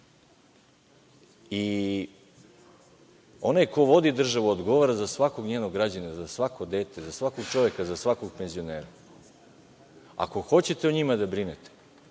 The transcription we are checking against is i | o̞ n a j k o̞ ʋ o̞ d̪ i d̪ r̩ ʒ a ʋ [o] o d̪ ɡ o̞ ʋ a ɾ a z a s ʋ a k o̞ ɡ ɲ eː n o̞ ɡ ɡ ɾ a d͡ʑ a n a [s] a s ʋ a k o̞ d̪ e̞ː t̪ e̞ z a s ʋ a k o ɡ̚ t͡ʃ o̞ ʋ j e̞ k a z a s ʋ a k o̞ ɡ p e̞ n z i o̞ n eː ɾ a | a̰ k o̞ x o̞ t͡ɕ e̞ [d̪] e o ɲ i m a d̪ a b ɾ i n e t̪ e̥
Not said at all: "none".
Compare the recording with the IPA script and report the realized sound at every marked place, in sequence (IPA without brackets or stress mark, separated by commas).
u, z, t̪